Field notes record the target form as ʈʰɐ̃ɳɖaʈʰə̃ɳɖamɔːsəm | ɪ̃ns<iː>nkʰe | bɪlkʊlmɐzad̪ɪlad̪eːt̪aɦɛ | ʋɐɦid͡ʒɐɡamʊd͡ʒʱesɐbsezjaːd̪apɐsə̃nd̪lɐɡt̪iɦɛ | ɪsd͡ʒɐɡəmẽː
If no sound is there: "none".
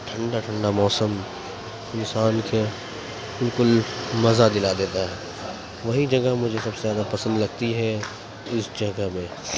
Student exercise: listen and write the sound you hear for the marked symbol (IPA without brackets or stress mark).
aː